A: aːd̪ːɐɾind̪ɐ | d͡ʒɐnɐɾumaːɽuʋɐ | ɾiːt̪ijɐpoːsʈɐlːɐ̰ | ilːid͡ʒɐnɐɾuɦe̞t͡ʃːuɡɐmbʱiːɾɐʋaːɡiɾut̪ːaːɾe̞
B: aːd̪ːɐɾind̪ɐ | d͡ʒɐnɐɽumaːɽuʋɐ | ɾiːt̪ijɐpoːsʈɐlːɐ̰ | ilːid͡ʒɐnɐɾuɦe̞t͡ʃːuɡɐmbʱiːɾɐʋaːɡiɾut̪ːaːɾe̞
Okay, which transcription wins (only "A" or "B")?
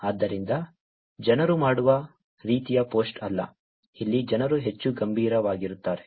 A